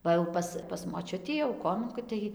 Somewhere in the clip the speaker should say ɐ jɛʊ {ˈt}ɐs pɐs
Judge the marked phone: incorrect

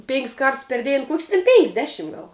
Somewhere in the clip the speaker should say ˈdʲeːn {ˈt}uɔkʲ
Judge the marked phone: incorrect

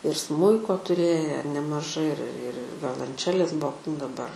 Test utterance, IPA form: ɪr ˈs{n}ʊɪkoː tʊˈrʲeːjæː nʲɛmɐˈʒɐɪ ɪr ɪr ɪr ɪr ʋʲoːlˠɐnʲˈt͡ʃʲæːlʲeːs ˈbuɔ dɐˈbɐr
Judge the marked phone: incorrect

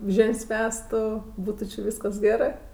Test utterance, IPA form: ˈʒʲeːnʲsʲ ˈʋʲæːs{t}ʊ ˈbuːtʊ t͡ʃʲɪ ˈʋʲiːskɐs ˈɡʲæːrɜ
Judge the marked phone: correct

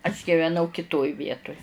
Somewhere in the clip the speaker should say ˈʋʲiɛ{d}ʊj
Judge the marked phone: incorrect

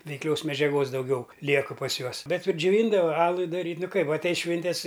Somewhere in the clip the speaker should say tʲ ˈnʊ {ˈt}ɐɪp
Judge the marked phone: incorrect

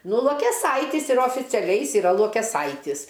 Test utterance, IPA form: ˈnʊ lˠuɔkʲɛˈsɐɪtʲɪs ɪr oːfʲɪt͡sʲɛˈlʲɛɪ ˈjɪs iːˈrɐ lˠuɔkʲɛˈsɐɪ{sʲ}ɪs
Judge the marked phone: incorrect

